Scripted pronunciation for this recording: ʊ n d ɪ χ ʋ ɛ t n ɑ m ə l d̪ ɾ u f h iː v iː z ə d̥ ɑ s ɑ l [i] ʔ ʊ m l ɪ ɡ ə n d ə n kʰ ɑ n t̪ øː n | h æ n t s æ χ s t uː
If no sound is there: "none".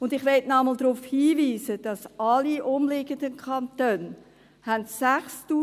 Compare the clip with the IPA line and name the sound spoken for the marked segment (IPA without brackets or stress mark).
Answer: i